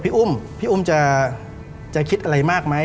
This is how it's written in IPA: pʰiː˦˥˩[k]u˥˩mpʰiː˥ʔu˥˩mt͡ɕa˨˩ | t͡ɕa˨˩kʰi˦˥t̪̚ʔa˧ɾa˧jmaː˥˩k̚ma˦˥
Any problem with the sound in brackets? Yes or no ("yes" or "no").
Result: yes